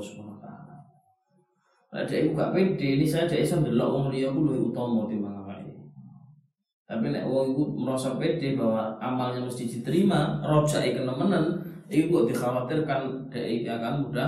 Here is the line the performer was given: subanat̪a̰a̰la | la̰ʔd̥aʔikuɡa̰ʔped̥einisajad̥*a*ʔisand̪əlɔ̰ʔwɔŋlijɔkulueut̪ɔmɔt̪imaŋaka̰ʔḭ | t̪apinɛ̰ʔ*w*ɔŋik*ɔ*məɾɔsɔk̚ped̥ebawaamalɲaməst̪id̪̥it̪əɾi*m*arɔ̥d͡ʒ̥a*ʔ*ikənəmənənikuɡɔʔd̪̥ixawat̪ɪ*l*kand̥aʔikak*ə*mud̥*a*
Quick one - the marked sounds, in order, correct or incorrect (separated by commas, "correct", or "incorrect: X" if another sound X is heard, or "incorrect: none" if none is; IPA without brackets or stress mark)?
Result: correct, correct, incorrect: u, correct, correct, incorrect: r, incorrect: a, correct